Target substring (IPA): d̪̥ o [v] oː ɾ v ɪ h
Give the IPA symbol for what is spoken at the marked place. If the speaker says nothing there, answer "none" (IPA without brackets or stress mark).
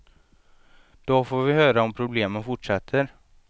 f